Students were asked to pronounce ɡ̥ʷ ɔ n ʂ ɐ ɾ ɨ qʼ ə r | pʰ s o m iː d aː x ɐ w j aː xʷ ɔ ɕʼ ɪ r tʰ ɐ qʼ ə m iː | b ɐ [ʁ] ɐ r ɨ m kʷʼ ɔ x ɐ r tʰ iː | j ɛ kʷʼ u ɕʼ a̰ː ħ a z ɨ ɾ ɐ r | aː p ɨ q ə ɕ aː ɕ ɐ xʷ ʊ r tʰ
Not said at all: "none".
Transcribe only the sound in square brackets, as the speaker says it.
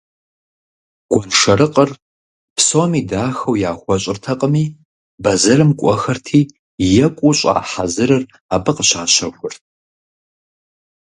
z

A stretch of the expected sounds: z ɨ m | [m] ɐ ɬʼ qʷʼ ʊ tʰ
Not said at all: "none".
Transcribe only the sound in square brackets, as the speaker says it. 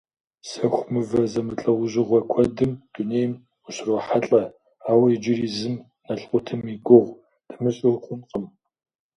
n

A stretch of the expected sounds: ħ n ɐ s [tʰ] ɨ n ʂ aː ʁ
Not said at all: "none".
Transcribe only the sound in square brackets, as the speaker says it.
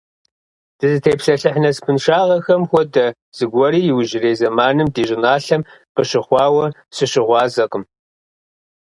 pʰ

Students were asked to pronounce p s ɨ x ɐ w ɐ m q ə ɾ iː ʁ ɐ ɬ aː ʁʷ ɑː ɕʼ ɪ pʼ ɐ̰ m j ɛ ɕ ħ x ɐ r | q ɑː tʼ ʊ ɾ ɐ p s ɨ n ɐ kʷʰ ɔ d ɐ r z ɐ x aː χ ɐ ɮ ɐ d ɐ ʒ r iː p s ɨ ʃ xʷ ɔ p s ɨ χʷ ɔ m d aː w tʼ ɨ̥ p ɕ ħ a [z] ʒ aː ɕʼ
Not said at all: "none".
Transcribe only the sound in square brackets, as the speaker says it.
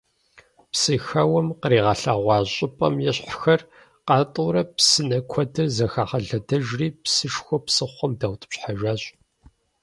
none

